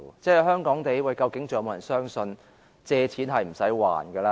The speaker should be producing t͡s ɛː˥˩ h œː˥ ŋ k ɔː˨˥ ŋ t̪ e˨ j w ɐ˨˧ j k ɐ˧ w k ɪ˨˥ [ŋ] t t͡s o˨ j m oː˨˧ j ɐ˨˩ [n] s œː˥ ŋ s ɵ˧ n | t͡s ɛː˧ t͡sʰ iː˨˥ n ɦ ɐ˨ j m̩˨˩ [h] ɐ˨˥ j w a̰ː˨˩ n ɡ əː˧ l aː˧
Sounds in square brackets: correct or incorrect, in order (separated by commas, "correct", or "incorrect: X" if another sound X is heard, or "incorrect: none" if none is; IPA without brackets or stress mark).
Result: correct, correct, incorrect: s